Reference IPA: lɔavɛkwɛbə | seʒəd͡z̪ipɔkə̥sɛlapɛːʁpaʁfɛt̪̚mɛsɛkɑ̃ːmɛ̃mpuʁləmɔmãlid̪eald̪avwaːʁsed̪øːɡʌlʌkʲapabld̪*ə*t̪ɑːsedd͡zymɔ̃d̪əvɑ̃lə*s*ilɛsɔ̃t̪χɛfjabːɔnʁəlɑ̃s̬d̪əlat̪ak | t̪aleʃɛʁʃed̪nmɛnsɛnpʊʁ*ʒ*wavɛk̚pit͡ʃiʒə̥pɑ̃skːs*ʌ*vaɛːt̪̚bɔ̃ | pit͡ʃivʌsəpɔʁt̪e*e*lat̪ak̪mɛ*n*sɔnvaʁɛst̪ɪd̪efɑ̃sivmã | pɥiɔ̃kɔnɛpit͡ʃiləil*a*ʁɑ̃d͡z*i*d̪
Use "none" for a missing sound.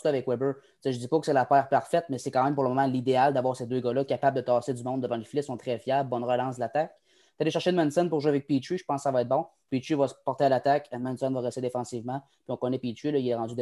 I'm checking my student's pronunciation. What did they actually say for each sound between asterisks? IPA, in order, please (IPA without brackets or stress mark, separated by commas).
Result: ə, f, ʒ, a, a, n, ɛ, y